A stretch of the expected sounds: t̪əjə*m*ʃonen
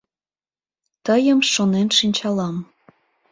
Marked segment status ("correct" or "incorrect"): correct